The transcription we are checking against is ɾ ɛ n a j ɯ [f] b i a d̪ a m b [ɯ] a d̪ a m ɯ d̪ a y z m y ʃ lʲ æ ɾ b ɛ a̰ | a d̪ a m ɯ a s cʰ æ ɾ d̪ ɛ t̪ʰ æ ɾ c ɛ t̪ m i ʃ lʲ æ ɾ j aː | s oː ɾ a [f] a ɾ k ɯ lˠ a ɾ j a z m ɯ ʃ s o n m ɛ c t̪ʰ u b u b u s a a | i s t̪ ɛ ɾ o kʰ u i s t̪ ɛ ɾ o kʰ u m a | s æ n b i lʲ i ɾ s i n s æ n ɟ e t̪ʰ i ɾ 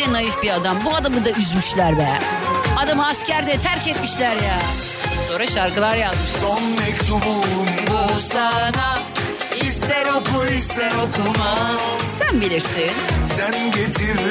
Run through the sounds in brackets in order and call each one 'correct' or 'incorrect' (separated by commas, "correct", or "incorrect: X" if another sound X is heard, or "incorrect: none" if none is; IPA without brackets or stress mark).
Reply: correct, incorrect: u, incorrect: ʃ